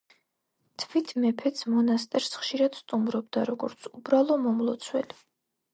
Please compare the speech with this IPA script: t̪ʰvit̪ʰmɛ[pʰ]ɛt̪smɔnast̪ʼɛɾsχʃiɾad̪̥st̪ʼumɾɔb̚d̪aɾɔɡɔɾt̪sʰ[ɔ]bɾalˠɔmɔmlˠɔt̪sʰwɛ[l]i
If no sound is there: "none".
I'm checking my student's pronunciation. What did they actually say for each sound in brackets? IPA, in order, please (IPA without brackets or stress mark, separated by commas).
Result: pʰ, u, l